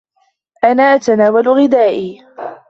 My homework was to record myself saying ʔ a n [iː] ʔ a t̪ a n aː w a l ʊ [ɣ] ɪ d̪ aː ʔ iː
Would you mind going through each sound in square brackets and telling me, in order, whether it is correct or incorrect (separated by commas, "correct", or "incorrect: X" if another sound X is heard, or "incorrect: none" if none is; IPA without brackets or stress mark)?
incorrect: aː, correct